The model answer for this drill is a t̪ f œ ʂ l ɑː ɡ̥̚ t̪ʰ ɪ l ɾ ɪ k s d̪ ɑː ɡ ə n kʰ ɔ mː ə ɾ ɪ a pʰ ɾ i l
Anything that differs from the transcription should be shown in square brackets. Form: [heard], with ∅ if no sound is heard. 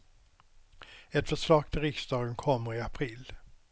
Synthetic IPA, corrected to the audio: [ɛ] t̪ f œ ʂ l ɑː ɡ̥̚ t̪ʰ ɪ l ɾ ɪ k s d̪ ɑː ɡ ə n kʰ ɔ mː ə ɾ ɪ a pʰ ɾ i l